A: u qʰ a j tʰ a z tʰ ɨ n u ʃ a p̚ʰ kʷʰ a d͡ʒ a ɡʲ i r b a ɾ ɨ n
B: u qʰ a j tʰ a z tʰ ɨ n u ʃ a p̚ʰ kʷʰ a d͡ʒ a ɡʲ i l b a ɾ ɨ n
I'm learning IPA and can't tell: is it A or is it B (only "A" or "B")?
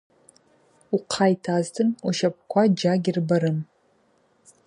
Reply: A